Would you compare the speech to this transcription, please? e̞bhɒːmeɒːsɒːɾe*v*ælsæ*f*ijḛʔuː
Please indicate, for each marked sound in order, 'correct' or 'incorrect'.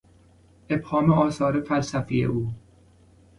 incorrect, correct

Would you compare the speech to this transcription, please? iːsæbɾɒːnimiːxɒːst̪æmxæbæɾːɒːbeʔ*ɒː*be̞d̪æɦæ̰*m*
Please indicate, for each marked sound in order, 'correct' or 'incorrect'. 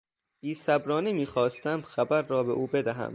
incorrect, correct

